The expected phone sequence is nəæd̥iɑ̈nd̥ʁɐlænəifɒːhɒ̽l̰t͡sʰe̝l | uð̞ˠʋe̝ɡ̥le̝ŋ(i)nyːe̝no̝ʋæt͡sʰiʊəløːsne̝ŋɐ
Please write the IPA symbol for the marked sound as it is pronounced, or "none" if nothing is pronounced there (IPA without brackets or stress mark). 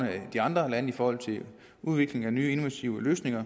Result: æ